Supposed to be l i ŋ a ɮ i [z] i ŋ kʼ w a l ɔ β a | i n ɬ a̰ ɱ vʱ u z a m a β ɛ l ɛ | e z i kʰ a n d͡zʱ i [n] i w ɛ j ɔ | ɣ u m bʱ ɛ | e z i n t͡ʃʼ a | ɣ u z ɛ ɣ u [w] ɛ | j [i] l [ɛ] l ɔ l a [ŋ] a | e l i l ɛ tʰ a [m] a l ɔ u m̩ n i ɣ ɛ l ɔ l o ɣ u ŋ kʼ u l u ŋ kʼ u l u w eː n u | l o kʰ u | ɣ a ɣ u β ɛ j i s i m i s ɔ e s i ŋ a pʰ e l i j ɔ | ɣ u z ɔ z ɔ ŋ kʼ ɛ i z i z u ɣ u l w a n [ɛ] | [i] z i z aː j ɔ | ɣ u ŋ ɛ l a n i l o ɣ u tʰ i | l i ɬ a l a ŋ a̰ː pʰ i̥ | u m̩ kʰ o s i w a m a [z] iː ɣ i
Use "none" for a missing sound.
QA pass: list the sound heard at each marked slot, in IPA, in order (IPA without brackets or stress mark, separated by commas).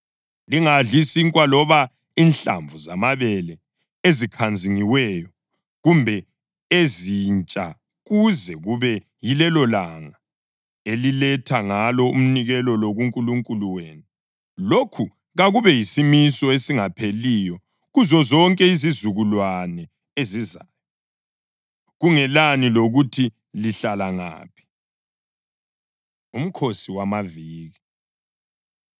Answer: s, ŋ, β, i, ɛ, ŋ, ŋ, ɛ, e, v